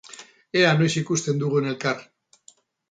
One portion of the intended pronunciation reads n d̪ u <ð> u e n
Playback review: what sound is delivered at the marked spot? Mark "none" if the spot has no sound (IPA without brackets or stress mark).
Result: ɣ